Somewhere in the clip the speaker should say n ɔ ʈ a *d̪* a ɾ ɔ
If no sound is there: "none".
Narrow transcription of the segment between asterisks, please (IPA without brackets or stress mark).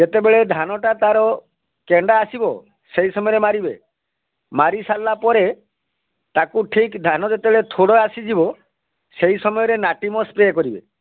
t̪